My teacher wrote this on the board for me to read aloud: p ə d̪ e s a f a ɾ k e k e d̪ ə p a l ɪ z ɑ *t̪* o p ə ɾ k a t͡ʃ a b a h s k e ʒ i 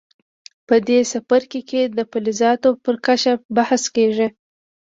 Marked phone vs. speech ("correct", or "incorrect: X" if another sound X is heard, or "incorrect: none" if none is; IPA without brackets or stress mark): correct